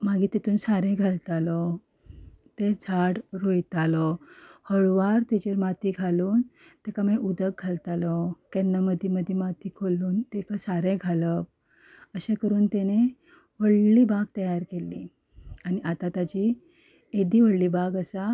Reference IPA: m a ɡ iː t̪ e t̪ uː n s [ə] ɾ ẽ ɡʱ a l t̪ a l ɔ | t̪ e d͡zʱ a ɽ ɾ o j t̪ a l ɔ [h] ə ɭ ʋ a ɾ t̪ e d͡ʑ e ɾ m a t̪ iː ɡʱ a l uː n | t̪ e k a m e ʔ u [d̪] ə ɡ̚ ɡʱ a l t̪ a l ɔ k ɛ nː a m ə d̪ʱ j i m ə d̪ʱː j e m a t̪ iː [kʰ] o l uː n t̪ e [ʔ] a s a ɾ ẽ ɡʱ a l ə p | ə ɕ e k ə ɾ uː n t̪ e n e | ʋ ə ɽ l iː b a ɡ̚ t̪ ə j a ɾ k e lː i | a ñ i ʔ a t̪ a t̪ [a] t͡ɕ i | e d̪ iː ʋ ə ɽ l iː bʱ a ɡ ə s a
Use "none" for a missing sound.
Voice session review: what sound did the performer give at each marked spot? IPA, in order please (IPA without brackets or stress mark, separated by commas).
a, h, d̪, kʰ, k, a